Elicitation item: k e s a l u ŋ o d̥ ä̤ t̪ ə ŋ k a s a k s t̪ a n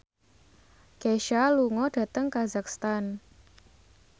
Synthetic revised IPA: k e ʃ a l u ŋ ɔ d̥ ä̤ t̪ ə ŋ k a z a k s t̪ a n